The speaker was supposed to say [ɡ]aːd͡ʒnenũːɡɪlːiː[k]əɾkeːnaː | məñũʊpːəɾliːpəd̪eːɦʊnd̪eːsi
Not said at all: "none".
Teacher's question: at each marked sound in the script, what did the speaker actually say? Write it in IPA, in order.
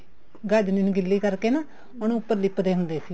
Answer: ɡ, k

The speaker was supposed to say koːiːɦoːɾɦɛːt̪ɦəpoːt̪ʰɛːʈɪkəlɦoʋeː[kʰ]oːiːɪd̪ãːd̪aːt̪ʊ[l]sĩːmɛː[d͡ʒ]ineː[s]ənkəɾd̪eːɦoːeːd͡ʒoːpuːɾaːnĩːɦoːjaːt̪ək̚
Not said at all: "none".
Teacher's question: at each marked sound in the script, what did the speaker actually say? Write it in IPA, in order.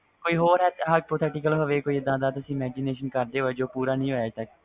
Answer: k, none, d͡ʒ, ʃ

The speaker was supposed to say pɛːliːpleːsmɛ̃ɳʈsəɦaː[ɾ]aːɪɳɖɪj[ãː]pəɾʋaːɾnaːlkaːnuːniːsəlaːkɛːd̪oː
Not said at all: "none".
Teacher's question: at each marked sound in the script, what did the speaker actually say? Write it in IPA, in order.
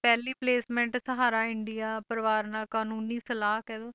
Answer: ɾ, aː

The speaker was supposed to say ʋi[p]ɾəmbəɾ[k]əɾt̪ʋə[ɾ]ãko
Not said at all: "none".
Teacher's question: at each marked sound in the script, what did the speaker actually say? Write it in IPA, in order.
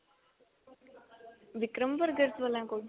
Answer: k, ɡ, l

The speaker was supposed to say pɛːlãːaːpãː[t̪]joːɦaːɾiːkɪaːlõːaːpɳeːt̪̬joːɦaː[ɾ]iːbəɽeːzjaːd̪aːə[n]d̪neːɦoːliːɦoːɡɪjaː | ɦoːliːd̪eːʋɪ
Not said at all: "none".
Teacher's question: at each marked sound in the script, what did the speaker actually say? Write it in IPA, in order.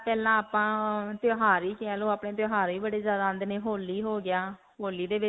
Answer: t̪, ɾ, n

